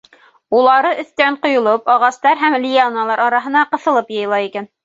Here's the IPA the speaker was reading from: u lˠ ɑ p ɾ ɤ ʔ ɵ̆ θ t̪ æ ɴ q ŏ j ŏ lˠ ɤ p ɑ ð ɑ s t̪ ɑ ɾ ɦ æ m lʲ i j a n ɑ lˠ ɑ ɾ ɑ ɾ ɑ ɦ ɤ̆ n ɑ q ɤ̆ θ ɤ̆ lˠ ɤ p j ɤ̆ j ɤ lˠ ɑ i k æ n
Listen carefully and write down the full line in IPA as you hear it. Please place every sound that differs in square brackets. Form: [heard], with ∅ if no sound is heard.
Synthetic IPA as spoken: u lˠ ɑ [∅] ɾ ɤ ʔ ɵ̆ θ t̪ æ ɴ q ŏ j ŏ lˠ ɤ p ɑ [ʁ] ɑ s t̪ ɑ ɾ ɦ æ m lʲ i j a n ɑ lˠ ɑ ɾ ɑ ɾ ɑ ɦ ɤ̆ n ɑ q ɤ̆ θ ɤ̆ lˠ ɤ p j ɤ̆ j ɤ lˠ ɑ i k æ n